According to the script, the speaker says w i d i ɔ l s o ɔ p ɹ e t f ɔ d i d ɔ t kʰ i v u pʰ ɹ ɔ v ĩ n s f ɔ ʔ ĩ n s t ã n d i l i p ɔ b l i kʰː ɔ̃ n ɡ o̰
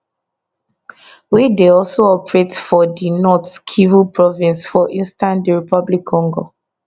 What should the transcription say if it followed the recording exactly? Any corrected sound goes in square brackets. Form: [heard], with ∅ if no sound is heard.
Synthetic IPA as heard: w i d [e] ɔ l s o ɔ p ɹ e t f ɔ d i [n] ɔ t kʰ i v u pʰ ɹ ɔ v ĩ n s f ɔ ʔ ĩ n s t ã n d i [ɹ] i p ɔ b l i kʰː ɔ̃ [ŋ] ɡ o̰